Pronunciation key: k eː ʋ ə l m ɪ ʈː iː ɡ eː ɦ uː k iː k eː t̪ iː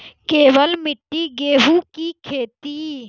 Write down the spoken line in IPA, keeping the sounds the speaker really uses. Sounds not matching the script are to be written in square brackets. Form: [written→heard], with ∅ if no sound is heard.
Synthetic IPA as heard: k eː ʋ ə l m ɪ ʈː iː ɡ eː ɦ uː k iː [k→kʰ] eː t̪ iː